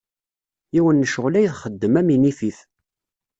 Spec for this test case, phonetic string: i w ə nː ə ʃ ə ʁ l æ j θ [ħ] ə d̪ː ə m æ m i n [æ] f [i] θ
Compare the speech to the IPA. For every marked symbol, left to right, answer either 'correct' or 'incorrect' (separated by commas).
incorrect, incorrect, correct